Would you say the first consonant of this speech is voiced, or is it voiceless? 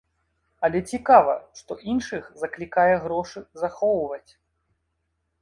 voiced